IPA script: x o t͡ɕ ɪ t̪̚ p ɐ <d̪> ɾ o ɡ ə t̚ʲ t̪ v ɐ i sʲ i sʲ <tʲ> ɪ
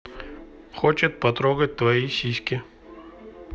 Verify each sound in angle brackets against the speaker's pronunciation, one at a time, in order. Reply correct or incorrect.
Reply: incorrect: t̪, incorrect: kʲ

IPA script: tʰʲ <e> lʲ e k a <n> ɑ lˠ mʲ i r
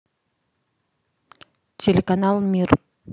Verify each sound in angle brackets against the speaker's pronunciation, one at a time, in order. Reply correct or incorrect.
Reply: correct, correct

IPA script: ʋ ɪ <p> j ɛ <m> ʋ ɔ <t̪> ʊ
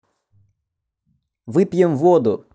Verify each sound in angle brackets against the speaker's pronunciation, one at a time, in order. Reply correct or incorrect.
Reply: correct, correct, incorrect: d̪

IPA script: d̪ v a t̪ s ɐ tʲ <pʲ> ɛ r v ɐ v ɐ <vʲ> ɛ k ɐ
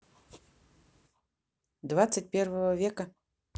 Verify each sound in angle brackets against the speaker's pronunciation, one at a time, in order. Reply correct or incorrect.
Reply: correct, correct

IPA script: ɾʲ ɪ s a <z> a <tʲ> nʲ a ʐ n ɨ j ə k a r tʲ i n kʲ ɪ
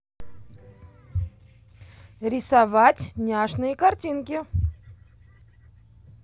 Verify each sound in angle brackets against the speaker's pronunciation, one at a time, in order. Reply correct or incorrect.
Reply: incorrect: v, correct

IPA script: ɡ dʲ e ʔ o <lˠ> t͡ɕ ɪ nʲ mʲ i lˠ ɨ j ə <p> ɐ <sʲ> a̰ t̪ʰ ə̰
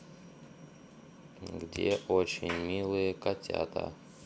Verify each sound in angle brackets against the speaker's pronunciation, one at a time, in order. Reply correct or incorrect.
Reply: incorrect: none, incorrect: k, incorrect: tʲ

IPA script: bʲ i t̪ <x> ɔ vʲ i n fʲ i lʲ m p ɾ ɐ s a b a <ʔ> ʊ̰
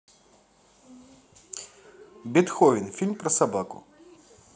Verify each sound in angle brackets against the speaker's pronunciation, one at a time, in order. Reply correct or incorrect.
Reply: correct, incorrect: k

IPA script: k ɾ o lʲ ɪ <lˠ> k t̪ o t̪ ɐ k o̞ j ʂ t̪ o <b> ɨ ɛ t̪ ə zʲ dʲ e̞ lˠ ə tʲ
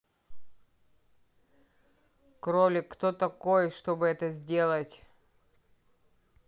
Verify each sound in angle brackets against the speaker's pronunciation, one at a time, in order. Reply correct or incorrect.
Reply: incorrect: none, correct

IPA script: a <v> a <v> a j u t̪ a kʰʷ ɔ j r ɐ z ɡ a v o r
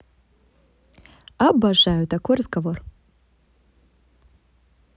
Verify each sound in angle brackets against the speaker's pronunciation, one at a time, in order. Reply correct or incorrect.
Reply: incorrect: b, incorrect: ʐ

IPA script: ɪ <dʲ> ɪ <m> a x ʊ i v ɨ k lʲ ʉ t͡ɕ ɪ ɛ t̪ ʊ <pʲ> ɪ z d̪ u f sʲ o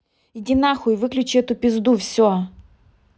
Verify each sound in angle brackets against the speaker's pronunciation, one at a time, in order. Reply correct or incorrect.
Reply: correct, incorrect: n, correct

